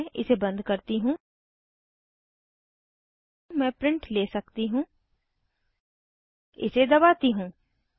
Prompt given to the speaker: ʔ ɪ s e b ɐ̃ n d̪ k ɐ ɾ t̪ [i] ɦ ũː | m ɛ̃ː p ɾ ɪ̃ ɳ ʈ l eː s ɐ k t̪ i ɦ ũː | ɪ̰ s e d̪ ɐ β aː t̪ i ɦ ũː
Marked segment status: correct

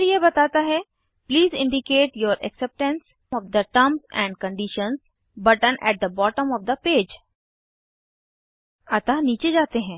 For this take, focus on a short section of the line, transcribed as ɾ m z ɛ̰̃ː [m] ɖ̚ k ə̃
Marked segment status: incorrect: ɳ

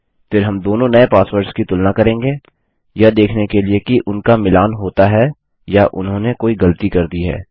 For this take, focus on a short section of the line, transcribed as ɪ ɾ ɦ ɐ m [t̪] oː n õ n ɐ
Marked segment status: incorrect: d̪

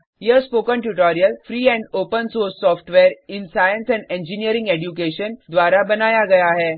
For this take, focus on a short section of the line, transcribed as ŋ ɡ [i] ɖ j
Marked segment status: incorrect: e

